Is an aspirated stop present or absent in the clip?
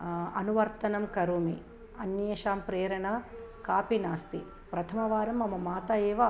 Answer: present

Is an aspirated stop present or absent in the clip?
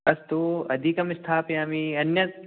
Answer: present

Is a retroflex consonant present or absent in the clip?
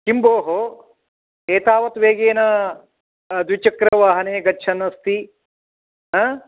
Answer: absent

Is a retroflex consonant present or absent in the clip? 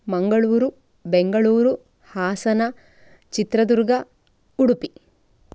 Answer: present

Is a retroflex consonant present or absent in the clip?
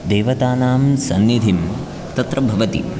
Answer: absent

